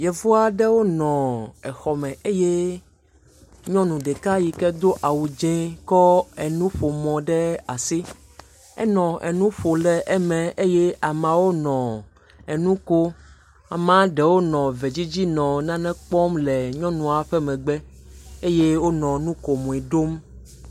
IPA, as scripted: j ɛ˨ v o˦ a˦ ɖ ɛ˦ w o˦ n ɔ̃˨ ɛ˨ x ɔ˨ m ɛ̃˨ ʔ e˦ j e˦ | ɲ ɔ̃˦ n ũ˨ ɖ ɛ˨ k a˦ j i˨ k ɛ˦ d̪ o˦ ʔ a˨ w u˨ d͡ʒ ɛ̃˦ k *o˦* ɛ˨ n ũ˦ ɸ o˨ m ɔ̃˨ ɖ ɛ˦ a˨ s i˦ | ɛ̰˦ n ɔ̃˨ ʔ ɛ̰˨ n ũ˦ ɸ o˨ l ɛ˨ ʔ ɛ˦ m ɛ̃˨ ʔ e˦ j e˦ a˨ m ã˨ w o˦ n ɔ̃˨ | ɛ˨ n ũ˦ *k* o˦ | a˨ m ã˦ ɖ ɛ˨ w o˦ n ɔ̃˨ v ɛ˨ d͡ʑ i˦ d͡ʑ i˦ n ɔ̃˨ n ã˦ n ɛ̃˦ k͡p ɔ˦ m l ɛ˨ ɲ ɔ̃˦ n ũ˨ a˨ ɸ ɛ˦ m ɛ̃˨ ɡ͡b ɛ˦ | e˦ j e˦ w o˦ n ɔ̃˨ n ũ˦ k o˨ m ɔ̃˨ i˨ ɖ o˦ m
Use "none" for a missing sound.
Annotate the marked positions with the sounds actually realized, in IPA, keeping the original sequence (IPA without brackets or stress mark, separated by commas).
ɔ˦, k